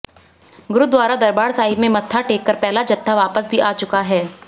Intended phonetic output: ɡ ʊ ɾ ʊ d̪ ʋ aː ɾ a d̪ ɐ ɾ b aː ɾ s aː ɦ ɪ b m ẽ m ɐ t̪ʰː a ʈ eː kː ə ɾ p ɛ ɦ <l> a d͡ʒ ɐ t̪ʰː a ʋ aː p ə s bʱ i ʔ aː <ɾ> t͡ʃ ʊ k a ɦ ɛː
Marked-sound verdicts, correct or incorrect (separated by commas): correct, incorrect